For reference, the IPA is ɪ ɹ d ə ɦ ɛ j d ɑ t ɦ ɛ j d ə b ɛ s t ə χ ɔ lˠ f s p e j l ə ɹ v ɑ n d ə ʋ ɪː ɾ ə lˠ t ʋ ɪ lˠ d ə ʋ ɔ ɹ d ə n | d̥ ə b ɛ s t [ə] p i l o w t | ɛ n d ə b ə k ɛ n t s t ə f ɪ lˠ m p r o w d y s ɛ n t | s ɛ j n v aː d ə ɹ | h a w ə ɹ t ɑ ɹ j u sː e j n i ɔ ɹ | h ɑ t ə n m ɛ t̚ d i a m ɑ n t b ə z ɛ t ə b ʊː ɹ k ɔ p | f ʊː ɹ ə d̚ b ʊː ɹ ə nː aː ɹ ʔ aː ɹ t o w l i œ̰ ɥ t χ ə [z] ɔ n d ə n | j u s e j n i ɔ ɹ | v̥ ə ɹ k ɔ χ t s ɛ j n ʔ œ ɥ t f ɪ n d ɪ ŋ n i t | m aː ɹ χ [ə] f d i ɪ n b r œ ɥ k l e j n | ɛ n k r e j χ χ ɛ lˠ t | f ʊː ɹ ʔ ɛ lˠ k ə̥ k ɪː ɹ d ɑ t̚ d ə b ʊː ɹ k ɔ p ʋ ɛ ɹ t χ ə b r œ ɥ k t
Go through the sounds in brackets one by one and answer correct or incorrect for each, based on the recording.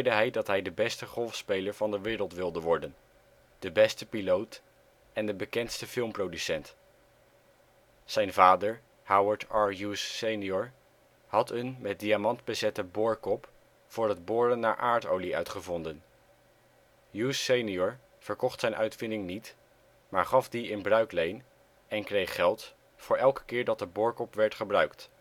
correct, incorrect: v, incorrect: ɑ

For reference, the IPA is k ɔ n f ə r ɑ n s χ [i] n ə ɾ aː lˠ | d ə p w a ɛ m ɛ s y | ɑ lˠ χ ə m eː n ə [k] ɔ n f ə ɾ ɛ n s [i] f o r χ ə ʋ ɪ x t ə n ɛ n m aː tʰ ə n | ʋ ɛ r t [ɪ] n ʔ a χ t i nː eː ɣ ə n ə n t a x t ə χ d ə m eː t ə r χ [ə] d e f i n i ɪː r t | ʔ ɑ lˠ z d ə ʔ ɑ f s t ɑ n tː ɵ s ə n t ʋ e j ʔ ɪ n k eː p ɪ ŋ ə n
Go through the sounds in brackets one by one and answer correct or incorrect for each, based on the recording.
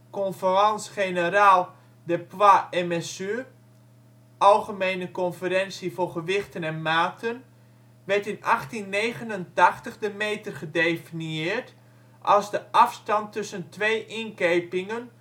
incorrect: e, correct, correct, correct, correct

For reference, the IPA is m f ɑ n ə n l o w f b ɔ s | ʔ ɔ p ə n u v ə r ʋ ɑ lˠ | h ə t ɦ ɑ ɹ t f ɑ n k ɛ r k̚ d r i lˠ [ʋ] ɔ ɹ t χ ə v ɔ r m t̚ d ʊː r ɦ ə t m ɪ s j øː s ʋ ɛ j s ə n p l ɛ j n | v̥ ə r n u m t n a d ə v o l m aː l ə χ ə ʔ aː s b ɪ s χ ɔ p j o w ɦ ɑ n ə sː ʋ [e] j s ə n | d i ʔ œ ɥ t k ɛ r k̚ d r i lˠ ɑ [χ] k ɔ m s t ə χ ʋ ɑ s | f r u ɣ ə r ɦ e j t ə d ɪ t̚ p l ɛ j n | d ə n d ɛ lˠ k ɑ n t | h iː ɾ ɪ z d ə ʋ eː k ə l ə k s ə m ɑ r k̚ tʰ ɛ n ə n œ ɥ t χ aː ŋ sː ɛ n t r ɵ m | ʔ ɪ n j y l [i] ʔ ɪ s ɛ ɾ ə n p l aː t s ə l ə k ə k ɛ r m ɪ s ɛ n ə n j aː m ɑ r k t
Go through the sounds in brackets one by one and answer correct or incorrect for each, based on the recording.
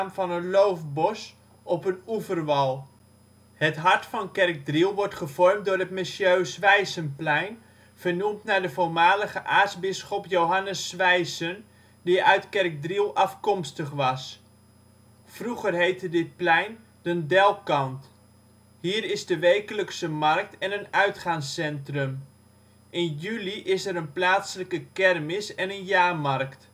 correct, incorrect: ɛ, incorrect: f, correct

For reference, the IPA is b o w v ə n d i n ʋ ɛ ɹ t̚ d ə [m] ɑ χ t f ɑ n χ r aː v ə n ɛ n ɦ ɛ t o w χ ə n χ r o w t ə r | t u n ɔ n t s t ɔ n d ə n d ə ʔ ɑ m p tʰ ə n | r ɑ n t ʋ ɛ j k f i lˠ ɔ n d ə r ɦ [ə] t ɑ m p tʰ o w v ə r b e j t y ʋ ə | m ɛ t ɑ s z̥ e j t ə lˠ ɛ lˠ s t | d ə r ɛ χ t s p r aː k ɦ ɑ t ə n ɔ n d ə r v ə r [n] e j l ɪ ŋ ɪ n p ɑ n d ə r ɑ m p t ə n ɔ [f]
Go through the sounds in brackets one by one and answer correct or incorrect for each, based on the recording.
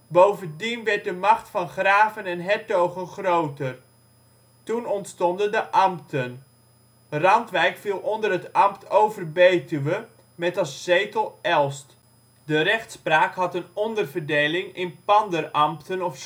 correct, correct, incorrect: d, correct

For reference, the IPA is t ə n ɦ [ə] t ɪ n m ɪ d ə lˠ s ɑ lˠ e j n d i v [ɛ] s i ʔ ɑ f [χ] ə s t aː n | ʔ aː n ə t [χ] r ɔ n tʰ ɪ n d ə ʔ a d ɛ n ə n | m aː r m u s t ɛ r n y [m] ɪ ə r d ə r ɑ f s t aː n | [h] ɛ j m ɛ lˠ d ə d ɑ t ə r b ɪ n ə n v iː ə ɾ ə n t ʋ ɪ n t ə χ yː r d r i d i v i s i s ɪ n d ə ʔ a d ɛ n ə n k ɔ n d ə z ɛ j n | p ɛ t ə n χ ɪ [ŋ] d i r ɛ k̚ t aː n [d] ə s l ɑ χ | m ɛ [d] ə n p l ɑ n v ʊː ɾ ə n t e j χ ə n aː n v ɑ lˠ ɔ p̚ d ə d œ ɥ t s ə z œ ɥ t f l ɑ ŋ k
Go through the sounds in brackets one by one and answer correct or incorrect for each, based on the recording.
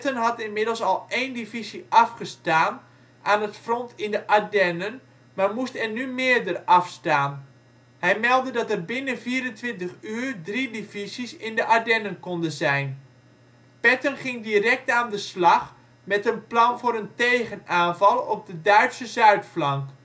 incorrect: ɑ, incorrect: i, correct, incorrect: f, correct, correct, correct, correct, incorrect: t

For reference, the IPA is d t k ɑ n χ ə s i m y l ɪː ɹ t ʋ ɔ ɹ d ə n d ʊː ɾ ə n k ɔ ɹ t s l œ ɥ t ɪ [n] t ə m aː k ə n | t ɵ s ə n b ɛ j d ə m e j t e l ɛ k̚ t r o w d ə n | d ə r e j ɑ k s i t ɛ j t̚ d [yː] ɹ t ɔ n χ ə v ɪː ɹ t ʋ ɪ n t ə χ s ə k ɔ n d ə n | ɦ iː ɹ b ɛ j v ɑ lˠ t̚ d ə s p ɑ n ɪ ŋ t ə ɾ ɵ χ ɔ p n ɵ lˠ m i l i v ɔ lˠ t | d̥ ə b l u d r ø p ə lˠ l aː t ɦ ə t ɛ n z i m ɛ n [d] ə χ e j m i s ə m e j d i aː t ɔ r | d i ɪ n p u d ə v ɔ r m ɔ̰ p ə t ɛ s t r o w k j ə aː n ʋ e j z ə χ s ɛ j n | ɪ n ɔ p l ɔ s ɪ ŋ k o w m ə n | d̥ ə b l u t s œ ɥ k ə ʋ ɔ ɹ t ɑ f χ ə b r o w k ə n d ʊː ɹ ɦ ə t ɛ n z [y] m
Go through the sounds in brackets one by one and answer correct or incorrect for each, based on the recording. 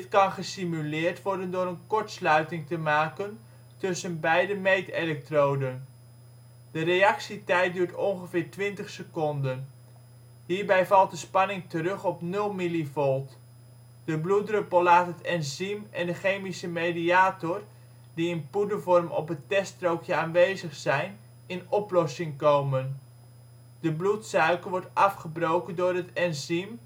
incorrect: ŋ, correct, correct, incorrect: i

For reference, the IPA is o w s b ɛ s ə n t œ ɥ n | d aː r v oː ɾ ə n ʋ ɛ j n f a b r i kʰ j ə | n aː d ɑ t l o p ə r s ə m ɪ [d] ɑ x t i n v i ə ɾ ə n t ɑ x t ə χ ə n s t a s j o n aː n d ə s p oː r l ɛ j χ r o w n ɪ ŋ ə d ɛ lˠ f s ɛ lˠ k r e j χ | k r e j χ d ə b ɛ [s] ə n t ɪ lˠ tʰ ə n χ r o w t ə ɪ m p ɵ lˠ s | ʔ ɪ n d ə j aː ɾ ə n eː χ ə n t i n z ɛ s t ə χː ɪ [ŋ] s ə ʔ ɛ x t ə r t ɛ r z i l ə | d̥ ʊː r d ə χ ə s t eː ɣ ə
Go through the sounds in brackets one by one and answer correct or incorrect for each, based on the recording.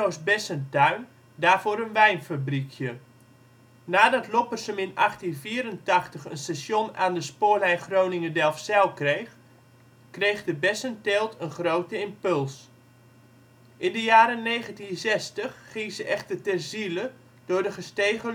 incorrect: n, correct, correct

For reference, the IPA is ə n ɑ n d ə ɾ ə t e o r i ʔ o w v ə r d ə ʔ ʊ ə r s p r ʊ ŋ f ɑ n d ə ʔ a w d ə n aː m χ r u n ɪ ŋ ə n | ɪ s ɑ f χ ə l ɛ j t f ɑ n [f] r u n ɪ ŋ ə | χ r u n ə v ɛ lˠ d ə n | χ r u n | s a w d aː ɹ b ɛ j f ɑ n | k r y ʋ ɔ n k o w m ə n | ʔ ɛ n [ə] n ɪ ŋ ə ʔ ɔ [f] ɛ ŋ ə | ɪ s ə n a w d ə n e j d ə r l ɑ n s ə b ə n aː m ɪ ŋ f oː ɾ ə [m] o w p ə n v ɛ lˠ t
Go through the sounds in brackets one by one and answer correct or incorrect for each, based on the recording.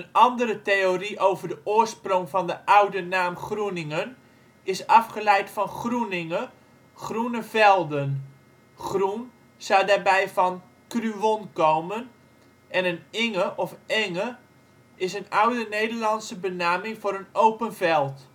incorrect: χ, correct, correct, incorrect: n

